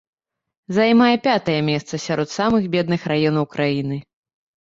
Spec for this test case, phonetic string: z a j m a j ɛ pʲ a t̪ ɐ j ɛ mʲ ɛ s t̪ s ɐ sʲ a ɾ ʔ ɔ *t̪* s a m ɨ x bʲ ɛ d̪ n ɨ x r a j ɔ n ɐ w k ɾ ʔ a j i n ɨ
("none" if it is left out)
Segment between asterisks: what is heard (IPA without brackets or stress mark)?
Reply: t̪